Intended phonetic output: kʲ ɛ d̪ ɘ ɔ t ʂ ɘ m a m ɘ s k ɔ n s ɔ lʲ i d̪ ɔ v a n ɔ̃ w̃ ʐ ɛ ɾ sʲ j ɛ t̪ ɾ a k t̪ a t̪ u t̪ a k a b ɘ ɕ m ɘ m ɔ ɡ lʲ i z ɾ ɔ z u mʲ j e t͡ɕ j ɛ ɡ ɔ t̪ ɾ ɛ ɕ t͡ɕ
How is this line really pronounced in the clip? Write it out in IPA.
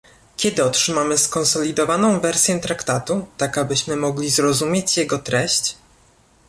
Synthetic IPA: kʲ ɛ d̪ ɘ ɔ t ʂ ɘ m a m ɘ s k ɔ n s ɔ lʲ i d̪ ɔ v a n ɔ̃ w̃ v ɛ ɾ sʲ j ɛ t̪ ɾ a k t̪ a t̪ u t̪ a k a b ɘ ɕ m ɘ m ɔ ɡ lʲ i z ɾ ɔ z u mʲ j e t͡ɕ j ɛ ɡ ɔ t̪ ɾ ɛ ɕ t͡ɕ